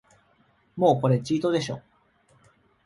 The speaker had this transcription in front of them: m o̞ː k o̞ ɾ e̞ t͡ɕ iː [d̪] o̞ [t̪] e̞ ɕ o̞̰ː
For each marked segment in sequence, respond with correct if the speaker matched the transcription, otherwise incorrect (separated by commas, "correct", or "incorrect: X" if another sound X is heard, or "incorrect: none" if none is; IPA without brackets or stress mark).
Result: incorrect: t̪, incorrect: d̪